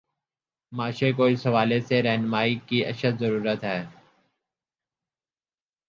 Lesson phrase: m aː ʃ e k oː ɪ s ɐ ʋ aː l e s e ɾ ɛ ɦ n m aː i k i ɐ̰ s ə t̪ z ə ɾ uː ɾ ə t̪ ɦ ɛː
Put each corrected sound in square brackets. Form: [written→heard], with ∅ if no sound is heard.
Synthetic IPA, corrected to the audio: m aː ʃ e k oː ɪ s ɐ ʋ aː l e s e ɾ ɛ ɦ n m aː i k i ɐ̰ [s→ʃ] ə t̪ z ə ɾ uː ɾ ə t̪ ɦ ɛː

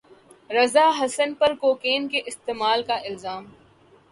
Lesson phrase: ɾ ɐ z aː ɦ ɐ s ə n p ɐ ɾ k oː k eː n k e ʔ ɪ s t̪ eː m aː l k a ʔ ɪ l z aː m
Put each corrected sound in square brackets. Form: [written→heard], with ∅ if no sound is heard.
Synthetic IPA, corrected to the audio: ɾ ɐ z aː ɦ ɐ s ə n p ɐ ɾ k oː k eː n k e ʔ ɪ s t̪ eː m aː l k a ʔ ɪ l z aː m

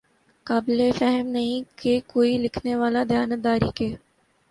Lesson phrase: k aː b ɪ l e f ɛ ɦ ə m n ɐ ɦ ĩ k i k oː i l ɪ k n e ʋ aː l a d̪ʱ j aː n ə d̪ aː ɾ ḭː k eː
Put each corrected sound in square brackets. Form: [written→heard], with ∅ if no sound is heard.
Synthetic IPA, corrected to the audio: k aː b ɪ l e f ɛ ɦ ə m n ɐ ɦ ĩ k [i→e] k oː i l ɪ [k→kʰ] n e ʋ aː l a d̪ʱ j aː n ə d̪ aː ɾ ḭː k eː

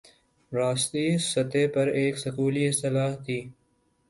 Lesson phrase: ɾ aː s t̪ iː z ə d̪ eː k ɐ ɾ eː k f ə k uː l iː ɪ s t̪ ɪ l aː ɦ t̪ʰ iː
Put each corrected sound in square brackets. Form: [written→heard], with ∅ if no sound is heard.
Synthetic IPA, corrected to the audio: ɾ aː s t̪ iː [z→s] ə [d̪→t̪] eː [k→p] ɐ ɾ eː k [f→s] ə k uː l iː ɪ s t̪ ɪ l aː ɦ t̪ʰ iː

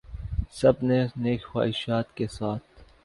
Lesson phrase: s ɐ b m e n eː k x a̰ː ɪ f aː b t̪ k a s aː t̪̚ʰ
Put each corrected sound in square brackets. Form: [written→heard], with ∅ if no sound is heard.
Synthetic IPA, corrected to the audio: s ɐ b [m→n] e n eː k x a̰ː ɪ [f→ʃ] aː [b→∅] t̪ k [a→e] s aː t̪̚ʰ

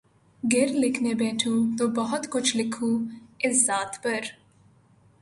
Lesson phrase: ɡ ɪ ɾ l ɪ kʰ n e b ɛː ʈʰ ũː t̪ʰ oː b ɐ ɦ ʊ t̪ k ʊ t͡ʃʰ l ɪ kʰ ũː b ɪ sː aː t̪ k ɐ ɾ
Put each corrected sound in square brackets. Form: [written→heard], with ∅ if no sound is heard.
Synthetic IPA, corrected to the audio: ɡ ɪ ɾ l ɪ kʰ n e b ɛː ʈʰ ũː [t̪ʰ→t̪] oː b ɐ ɦ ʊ t̪ k ʊ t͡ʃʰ l ɪ kʰ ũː [b→∅] ɪ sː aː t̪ [k→p] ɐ ɾ

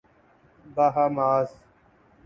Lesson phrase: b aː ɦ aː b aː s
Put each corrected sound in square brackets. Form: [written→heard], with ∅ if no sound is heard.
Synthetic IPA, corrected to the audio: b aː ɦ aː [b→m] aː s

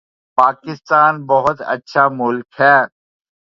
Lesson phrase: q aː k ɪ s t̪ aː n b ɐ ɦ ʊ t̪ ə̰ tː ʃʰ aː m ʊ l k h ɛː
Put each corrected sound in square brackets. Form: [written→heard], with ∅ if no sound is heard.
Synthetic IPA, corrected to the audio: [q→p] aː k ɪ s t̪ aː n b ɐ ɦ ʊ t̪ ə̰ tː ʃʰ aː m ʊ l k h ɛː

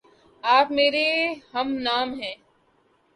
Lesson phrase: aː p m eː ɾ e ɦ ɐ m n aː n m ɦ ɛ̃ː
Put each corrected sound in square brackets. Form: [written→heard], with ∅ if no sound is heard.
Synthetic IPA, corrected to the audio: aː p m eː ɾ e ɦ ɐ m n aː [n→∅] m ɦ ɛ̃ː

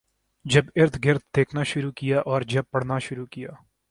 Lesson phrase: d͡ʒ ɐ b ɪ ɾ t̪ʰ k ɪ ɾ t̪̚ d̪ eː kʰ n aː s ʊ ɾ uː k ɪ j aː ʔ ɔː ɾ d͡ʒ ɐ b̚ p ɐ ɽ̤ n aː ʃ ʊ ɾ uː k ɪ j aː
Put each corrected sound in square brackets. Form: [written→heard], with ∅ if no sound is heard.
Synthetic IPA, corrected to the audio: d͡ʒ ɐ b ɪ ɾ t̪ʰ [k→ɡ] ɪ ɾ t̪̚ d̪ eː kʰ n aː [s→ʃ] ʊ ɾ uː k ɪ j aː ʔ ɔː ɾ d͡ʒ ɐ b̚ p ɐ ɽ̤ n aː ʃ ʊ ɾ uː k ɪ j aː

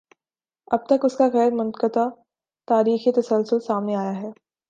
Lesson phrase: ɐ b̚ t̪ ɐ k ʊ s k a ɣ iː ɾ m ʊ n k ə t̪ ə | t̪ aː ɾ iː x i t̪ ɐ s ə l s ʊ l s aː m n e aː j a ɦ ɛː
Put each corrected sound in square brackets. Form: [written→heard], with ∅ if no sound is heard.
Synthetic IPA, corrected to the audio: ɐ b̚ t̪ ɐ k ʊ s k a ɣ [iː→ɛː] ɾ m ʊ n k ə t̪ [ə→a] | t̪ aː ɾ iː x i t̪ ɐ s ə l s ʊ l s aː m n e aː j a ɦ ɛː

